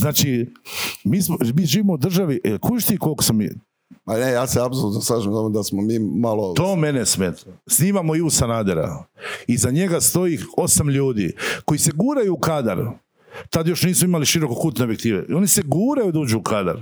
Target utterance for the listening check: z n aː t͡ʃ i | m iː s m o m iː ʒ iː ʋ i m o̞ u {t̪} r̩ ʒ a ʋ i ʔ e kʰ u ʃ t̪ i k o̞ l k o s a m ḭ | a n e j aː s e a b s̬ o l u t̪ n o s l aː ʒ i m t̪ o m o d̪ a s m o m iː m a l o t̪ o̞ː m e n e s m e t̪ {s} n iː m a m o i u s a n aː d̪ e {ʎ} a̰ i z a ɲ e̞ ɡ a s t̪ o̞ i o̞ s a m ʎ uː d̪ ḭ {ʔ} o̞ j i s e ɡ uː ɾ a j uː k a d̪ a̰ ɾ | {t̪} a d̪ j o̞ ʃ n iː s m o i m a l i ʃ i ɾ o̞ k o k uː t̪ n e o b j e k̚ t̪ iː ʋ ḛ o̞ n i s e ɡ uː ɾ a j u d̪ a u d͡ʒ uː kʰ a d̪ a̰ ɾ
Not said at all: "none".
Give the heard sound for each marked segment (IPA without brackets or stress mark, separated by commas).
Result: d̪, s, ɾ, k, t̪